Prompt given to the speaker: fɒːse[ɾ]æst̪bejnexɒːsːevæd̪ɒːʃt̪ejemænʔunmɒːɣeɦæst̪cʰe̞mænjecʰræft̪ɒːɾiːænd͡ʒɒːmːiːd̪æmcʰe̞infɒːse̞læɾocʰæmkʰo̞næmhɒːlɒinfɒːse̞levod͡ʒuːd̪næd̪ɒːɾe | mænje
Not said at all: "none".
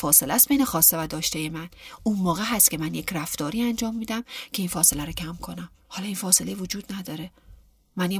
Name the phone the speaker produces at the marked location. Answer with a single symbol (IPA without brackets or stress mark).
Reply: l